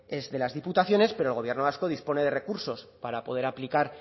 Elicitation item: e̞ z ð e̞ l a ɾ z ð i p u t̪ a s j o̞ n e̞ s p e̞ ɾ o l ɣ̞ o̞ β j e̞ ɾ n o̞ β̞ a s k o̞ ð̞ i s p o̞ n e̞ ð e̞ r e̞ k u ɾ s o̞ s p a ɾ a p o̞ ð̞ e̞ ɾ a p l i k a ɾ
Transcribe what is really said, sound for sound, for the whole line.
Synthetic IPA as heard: e̞ z ð e̞ l a z ð i p u t̪ a θ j o̞ n e̞ s p e̞ ɾ o l ɣ̞ o̞ β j e̞ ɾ n o̞ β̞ a s k o̞ ð̞ i s p o̞ n e̞ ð e̞ r e̞ k u ɾ s o̞ s p a ɾ a p o̞ ð̞ e̞ ɾ a p l i k a ɾ